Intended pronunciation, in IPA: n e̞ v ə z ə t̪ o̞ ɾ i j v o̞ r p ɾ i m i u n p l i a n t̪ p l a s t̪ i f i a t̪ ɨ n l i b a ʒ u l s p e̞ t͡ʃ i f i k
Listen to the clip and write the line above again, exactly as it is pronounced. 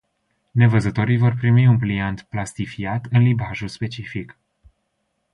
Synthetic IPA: n e̞ v ə z ə t̪ o̞ ɾ i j v o̞ r p ɾ i m i u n p l i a n t̪ p l a s t̪ i f i a t̪ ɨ n l i b a ʒ u l s p e̞ t͡ʃ i f i k